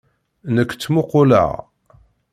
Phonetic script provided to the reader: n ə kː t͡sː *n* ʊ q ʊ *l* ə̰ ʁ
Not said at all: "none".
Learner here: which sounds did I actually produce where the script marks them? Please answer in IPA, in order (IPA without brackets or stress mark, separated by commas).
m, l